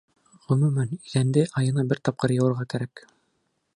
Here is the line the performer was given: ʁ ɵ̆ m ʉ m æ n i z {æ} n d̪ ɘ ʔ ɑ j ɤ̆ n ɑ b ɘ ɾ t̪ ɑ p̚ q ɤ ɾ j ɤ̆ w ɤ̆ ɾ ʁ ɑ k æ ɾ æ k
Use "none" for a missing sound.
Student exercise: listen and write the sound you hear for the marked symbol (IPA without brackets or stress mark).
æ